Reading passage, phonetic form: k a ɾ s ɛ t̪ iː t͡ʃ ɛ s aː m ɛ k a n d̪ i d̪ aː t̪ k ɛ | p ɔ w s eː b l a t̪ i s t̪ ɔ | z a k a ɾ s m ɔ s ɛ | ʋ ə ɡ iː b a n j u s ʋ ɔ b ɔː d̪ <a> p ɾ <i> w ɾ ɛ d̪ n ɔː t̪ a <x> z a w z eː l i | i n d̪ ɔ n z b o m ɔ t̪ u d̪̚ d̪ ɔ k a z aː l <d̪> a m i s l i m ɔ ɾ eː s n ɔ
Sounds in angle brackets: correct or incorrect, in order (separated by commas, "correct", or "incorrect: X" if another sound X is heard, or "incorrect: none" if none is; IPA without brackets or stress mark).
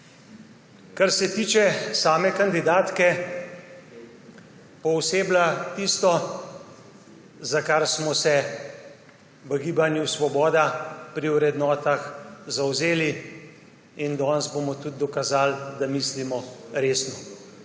correct, correct, correct, correct